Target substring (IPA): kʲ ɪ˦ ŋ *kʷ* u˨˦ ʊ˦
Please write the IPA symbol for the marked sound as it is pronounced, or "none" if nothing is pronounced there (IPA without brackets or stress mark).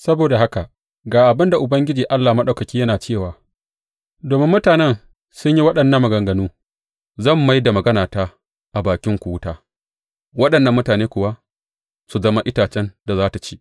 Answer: kʷ